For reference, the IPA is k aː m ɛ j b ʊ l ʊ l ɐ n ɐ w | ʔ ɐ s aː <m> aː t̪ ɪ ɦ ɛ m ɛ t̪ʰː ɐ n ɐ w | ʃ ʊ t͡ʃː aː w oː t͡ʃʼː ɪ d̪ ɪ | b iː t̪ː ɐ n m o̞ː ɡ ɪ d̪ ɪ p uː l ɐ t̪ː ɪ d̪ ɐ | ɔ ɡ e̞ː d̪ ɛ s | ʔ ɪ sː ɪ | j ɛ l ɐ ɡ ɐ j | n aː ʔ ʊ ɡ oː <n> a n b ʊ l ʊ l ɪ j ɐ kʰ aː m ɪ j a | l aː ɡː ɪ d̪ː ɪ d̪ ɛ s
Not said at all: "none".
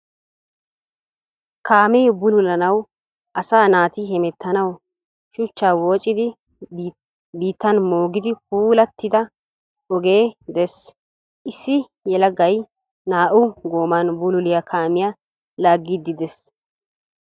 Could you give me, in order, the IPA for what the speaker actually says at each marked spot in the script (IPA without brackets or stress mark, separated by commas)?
n, m